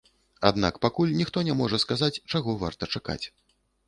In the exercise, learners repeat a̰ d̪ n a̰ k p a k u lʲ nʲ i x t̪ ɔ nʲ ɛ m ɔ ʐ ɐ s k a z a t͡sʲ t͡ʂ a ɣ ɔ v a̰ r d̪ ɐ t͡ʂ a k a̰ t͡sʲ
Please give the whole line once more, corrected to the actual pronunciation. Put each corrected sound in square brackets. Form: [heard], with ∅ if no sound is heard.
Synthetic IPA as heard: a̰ d̪ n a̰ k p a k u lʲ nʲ i x t̪ ɔ nʲ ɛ m ɔ ʐ ɐ s k a z a t͡sʲ t͡ʂ a ɣ ɔ v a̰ r [t̪] ɐ t͡ʂ a k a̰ t͡sʲ